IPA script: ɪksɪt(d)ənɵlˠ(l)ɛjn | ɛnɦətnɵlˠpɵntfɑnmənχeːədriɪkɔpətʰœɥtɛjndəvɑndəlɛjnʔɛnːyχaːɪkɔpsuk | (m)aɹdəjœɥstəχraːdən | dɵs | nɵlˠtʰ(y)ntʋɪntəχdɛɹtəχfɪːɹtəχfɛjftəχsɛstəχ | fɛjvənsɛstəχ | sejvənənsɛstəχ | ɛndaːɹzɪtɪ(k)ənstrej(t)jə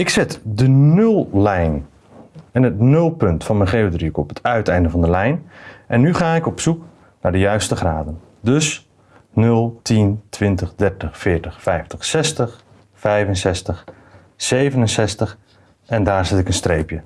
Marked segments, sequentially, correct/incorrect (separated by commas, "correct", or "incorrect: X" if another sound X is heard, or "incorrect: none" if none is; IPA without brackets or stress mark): correct, correct, incorrect: n, incorrect: i, correct, incorrect: p